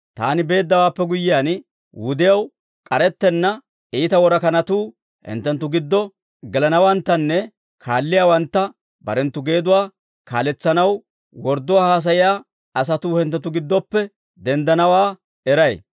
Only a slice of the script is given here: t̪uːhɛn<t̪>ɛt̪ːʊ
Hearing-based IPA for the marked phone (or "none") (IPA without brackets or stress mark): t̪